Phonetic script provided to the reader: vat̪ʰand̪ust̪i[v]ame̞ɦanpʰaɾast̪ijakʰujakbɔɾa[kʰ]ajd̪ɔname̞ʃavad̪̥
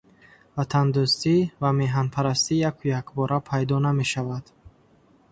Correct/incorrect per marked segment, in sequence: correct, incorrect: pʰ

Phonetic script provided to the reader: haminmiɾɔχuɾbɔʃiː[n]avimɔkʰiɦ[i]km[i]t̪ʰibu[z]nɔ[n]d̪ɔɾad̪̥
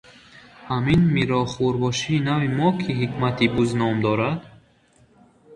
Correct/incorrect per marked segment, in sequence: correct, correct, incorrect: a, correct, incorrect: m

